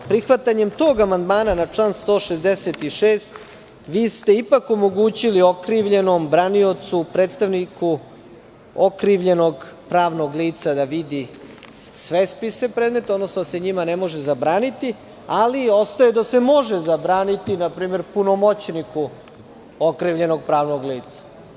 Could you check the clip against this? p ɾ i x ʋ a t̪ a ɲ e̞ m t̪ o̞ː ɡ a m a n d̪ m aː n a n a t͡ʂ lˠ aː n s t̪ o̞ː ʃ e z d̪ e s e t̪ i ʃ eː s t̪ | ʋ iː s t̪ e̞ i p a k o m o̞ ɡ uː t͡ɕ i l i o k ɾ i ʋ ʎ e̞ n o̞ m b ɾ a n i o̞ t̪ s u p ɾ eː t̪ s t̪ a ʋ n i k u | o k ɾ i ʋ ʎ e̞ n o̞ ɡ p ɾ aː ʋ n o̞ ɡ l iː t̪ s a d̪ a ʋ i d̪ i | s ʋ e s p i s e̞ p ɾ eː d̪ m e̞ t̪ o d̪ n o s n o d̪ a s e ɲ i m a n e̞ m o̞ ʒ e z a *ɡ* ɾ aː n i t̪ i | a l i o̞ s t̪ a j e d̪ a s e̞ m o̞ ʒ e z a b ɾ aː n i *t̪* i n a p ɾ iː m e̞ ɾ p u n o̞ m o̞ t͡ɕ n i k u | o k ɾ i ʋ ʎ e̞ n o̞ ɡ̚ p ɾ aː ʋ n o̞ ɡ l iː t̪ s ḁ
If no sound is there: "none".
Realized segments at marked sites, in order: b, t̪

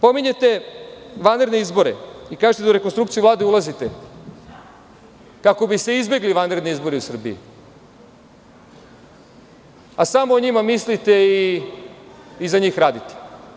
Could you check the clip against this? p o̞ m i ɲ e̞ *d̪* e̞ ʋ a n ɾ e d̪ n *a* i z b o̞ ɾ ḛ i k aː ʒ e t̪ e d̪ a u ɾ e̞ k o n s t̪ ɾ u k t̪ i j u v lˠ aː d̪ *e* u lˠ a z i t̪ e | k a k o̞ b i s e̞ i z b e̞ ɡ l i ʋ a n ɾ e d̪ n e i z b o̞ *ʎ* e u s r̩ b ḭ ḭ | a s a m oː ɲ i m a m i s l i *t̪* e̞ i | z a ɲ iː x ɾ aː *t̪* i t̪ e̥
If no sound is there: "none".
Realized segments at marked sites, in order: t̪, e, e, ɾ, t̪, d̪

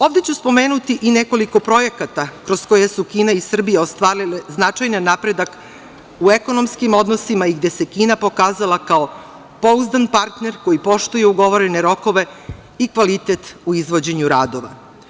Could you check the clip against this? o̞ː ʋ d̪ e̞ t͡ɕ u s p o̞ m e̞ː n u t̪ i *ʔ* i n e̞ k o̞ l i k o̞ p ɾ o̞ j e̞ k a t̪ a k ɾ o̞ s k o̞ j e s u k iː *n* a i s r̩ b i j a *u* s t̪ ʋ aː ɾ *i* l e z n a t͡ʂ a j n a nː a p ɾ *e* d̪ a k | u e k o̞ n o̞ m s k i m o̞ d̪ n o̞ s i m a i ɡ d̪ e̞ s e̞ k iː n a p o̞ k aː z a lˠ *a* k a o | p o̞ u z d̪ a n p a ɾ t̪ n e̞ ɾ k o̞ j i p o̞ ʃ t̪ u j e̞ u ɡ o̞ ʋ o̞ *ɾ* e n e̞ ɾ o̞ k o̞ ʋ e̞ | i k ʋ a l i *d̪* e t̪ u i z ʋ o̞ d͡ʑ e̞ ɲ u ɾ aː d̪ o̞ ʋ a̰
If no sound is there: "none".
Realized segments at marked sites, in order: ʔ, n, o, i, e, a, ɾ, t̪

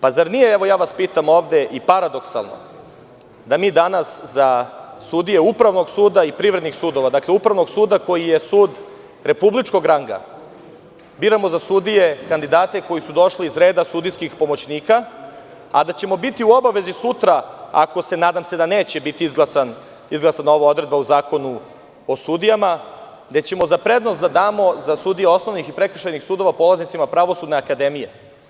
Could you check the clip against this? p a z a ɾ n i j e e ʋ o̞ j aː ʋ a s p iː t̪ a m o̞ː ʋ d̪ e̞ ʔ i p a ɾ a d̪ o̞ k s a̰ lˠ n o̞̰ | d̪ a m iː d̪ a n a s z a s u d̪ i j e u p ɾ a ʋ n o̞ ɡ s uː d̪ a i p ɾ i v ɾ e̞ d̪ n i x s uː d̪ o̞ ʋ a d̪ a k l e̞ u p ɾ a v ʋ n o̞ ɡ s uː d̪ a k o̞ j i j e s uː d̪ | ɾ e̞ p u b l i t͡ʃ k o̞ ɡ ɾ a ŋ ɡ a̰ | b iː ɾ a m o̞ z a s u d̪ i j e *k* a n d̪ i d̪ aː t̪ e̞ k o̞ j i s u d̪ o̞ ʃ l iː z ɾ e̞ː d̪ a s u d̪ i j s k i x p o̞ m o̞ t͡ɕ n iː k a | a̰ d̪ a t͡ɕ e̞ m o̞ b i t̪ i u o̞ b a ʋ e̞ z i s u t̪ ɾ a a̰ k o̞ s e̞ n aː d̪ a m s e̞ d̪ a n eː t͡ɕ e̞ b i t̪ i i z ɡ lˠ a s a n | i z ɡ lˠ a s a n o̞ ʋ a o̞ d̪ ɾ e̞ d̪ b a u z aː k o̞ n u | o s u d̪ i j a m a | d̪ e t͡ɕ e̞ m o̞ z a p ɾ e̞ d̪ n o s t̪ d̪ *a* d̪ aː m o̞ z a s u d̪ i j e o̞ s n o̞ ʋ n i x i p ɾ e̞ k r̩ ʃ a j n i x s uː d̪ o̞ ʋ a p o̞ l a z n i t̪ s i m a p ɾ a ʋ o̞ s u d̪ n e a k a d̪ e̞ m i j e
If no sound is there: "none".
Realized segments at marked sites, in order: k, a

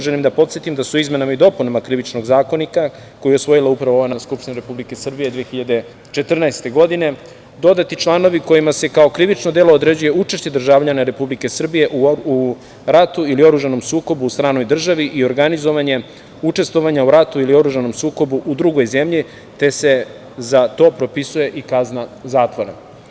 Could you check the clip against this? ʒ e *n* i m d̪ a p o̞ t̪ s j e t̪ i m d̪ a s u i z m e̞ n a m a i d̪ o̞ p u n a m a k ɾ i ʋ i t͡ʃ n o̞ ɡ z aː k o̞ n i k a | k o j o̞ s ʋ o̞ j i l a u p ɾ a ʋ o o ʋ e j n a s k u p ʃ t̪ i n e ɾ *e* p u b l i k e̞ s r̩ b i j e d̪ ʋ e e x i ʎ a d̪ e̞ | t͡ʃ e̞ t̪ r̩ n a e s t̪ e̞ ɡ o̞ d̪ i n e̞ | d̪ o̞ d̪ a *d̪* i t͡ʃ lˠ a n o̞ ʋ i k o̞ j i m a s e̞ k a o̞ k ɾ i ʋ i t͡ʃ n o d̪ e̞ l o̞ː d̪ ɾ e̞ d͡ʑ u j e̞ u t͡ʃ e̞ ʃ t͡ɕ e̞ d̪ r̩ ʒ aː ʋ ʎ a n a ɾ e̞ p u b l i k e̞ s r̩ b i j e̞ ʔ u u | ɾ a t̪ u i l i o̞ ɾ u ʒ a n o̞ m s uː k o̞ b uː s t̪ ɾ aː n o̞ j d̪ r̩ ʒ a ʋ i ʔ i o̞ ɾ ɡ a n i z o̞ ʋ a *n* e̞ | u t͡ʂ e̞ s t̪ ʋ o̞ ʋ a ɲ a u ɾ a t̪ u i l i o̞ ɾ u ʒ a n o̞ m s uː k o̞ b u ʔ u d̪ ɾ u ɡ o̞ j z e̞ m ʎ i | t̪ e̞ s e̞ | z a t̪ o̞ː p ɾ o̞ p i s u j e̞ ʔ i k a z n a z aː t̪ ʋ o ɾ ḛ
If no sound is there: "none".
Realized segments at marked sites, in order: n, e, t̪, ɲ

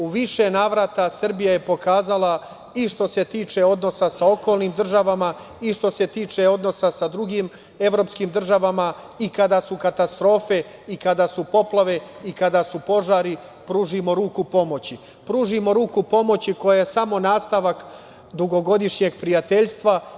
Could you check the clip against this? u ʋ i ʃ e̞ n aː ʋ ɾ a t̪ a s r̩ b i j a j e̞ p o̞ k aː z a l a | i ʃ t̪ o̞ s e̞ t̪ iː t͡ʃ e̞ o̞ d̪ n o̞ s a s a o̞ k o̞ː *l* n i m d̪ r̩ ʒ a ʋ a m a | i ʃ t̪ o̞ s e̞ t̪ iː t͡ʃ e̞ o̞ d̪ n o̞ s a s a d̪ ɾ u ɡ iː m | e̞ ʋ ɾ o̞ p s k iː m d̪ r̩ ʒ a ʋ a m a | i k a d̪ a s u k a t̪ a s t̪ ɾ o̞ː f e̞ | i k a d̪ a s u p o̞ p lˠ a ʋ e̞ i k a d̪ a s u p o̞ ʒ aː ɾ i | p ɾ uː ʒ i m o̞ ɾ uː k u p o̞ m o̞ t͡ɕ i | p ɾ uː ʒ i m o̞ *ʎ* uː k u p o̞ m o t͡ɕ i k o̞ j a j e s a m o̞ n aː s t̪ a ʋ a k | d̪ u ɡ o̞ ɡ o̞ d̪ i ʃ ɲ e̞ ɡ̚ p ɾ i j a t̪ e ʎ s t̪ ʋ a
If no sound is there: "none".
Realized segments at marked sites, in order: l, ɾ

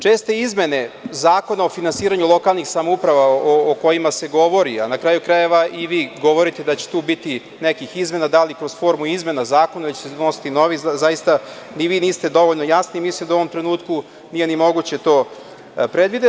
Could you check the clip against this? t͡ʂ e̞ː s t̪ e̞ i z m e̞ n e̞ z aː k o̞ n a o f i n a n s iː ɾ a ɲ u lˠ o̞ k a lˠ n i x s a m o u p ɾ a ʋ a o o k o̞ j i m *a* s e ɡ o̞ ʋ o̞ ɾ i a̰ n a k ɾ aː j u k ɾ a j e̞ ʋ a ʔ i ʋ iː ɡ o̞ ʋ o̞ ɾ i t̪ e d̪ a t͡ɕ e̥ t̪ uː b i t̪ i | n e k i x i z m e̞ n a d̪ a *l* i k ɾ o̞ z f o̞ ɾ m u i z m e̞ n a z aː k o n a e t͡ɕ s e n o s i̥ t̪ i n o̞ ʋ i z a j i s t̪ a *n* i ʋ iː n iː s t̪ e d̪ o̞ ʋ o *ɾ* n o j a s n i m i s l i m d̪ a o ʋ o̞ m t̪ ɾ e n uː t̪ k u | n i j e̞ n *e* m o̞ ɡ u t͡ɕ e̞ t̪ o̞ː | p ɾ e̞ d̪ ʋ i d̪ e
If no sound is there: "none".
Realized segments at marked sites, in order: a, l, n, ʎ, i

